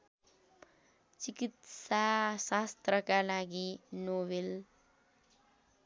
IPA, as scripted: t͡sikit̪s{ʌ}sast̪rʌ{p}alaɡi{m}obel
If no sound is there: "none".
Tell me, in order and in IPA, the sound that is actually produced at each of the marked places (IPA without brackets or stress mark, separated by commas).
a, k, n